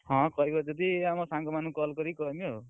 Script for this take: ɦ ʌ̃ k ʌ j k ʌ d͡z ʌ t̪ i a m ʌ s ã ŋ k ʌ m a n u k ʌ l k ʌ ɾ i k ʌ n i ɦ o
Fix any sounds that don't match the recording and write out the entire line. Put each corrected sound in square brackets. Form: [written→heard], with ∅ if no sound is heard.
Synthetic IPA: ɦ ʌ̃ k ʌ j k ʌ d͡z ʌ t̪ i a m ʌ s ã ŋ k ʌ m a n u k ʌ l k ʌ ɾ i k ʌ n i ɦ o